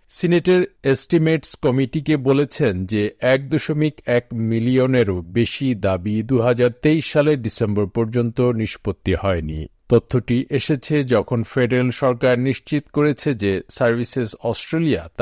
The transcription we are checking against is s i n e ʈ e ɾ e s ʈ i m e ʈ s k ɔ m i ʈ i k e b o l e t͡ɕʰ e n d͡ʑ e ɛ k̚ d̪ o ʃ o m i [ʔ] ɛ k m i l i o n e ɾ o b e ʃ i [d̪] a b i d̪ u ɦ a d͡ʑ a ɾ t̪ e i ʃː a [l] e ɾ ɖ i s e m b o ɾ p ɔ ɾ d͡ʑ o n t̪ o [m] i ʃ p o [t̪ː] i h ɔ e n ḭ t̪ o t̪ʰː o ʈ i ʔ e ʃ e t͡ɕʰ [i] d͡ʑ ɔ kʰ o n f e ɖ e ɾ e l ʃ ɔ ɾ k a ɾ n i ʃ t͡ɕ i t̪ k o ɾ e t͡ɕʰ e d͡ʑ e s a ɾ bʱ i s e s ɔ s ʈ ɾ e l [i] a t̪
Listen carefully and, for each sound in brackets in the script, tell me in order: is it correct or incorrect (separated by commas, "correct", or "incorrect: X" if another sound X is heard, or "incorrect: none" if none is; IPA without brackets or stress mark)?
incorrect: k, correct, correct, incorrect: n, correct, incorrect: e, correct